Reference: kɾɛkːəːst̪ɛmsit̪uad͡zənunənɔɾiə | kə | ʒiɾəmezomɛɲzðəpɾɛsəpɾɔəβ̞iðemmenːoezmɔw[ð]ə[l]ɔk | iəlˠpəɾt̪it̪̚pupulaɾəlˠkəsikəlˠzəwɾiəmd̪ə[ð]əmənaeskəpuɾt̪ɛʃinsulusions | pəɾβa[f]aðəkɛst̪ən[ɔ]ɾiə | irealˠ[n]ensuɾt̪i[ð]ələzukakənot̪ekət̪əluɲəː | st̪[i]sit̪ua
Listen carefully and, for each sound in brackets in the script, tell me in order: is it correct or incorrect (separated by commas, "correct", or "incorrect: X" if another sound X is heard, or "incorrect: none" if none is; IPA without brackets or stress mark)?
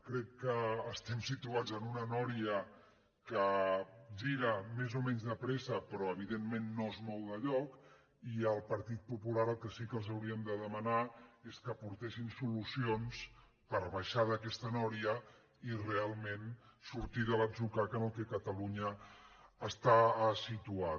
correct, incorrect: ʎ, correct, incorrect: ʃ, correct, incorrect: m, correct, incorrect: a